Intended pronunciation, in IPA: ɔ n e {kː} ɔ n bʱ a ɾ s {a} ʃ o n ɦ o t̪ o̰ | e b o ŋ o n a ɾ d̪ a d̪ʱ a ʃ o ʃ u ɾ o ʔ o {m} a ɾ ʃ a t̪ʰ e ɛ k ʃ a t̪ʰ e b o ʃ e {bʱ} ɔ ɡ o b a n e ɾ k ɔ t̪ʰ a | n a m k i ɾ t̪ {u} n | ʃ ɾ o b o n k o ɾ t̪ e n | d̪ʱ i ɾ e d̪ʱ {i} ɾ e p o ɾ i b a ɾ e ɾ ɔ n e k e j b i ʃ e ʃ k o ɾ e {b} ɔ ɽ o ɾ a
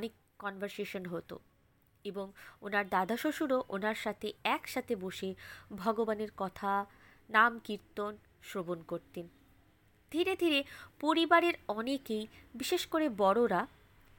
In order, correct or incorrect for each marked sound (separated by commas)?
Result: correct, incorrect, incorrect, correct, incorrect, correct, correct